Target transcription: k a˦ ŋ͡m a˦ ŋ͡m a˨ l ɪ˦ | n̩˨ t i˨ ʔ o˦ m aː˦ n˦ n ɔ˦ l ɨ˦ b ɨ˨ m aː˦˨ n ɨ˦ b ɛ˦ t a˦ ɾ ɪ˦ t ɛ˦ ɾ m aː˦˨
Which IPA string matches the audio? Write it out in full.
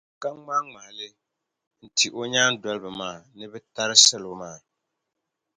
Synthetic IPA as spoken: k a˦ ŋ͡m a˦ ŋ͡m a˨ l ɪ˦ | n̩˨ t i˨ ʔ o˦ ɲ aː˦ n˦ d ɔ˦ l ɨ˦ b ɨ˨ m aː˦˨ n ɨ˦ b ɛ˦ t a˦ ɾ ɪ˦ s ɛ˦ l m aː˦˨